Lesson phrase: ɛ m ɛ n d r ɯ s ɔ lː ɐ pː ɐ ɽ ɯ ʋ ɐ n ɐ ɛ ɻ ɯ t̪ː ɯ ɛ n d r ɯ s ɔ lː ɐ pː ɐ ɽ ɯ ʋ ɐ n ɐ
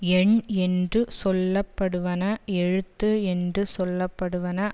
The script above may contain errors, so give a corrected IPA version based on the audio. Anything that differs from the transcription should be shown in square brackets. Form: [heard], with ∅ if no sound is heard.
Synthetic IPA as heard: ɛ [ɳ] ɛ n d r ɯ s ɔ lː ɐ pː ɐ ɽ ɯ ʋ ɐ n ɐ ɛ ɻ ɯ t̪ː ɯ ɛ n d r ɯ s ɔ lː ɐ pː ɐ ɽ ɯ ʋ ɐ n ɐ